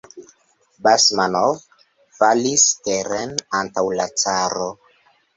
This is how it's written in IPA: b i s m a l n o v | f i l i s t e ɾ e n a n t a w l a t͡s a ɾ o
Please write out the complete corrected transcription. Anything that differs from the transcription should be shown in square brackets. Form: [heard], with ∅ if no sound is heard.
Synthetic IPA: b [a] s m a [∅] n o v | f [a] l i s t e ɾ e n a n t a w l a t͡s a ɾ o